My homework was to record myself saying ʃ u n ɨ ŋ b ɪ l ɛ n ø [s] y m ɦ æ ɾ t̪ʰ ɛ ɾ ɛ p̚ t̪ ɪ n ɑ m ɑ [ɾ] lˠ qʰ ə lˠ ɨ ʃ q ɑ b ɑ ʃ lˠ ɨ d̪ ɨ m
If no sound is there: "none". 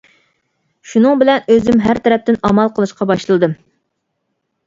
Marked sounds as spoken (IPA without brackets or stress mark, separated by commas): z, none